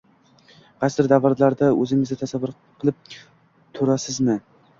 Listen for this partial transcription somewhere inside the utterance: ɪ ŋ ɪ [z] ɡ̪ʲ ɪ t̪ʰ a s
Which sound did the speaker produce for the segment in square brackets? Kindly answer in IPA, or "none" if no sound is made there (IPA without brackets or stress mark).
z